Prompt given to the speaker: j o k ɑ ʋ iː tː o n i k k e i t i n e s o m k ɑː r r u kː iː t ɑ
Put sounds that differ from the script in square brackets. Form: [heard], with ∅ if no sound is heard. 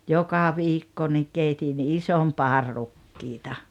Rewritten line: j o k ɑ ʋ iː [kː] o n i k k e i t i n [i] s o m [p] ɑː r r u kː iː t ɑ